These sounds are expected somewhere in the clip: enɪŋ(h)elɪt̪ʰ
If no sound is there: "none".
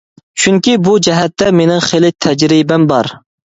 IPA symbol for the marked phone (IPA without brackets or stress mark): χ